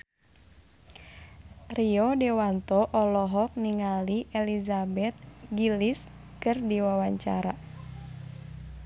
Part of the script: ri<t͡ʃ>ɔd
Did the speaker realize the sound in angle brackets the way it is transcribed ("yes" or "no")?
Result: no